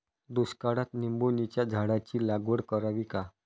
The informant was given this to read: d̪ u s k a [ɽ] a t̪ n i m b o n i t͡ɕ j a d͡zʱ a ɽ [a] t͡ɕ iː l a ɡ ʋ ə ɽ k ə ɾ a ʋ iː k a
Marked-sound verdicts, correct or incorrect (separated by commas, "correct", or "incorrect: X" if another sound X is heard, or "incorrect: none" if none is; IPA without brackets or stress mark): correct, correct